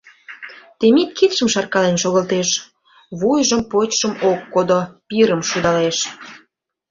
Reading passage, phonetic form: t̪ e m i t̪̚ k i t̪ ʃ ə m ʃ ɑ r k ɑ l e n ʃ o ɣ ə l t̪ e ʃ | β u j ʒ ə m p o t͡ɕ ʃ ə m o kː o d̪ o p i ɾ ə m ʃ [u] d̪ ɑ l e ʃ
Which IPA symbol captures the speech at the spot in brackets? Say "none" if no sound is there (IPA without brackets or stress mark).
u